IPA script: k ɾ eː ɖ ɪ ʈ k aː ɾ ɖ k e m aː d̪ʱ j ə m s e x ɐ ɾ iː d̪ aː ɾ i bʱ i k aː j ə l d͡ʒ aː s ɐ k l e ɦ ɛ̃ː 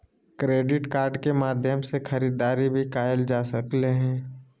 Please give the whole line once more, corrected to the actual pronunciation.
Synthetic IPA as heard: k ɾ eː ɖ ɪ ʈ k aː ɾ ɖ k e m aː d̪ʱ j ə m s e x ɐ ɾ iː d̪ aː ɾ i bʱ i k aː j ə l d͡ʒ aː s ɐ k l e ɦ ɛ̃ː